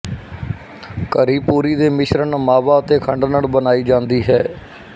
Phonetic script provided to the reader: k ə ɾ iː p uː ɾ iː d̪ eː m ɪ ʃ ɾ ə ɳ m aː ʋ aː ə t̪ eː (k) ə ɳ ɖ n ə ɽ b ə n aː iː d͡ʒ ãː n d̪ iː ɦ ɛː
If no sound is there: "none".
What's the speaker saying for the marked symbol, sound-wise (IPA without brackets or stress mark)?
kʰ